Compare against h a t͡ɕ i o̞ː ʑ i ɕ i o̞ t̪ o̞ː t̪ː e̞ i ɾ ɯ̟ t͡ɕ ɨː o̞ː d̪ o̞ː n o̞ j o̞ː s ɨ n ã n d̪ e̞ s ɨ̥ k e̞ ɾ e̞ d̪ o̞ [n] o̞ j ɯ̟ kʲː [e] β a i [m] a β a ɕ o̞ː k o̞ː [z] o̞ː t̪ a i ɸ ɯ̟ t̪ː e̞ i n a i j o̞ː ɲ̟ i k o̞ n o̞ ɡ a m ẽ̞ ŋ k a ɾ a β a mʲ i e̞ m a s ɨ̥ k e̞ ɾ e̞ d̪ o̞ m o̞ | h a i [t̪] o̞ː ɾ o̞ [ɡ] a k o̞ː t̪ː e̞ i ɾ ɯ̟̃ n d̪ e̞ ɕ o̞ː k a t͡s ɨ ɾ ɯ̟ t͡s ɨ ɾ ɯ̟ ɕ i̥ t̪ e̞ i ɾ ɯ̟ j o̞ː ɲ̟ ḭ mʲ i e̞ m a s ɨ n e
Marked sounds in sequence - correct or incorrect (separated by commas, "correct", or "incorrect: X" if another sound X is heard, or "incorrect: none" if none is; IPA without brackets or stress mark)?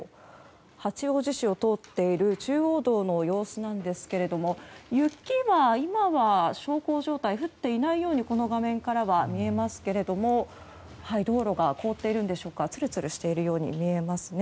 incorrect: m, incorrect: i, correct, incorrect: ʑ, incorrect: d̪, correct